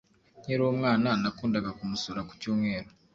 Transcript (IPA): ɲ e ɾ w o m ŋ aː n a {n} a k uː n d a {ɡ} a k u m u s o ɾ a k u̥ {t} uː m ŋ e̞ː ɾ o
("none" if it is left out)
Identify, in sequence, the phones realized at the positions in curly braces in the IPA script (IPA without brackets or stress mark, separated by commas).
n, ɡ, c